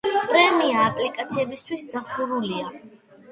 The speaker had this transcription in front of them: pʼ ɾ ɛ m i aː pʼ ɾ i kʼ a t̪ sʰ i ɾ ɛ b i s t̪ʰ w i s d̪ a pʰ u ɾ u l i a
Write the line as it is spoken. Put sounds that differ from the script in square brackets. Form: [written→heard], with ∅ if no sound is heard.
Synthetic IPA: pʼ ɾ ɛ m i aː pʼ [ɾ→l] i kʼ a t̪ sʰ i [ɾ→∅] ɛ b i s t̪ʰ w i s d̪ a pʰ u ɾ u l i a

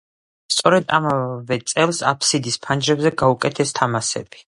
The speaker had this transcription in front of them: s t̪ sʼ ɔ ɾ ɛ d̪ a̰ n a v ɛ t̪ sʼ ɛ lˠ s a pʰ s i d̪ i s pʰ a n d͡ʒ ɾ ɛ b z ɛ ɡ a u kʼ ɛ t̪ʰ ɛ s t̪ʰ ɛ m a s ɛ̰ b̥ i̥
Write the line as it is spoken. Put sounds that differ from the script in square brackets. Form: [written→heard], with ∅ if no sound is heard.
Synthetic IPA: s t̪ sʼ ɔ ɾ ɛ d̪ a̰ [n→m] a v ɛ t̪ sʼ ɛ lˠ s a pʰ s i d̪ i s pʰ a n d͡ʒ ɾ ɛ b z ɛ ɡ a u kʼ ɛ t̪ʰ ɛ s t̪ʰ [ɛ→a] m a s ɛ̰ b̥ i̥

